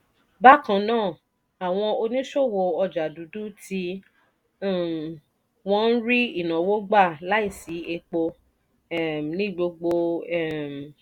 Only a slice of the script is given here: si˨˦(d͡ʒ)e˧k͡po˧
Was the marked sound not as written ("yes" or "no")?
yes